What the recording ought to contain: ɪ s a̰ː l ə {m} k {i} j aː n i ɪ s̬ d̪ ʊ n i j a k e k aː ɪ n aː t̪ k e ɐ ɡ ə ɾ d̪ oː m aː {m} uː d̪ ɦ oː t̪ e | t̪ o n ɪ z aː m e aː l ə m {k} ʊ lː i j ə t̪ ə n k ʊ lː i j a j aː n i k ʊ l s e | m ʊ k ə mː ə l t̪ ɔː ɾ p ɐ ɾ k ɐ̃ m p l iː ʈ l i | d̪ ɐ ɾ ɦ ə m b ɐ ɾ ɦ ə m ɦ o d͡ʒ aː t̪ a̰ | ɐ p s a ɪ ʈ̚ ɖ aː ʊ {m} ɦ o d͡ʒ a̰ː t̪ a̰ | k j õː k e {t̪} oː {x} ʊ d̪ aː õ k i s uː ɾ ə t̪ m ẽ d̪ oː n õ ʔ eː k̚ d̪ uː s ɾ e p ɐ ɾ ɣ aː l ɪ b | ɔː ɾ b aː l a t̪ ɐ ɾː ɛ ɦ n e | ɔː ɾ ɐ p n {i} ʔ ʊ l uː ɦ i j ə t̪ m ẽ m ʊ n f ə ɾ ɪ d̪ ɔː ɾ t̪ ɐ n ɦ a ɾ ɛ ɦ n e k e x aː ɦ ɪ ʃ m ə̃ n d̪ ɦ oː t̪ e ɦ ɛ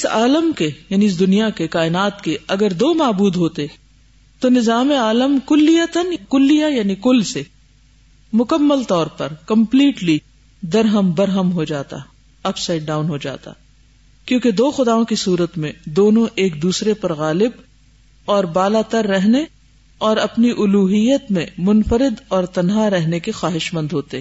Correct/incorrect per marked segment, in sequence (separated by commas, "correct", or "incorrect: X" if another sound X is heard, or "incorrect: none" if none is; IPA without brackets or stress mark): correct, incorrect: e, incorrect: b, correct, incorrect: n, incorrect: d̪, correct, correct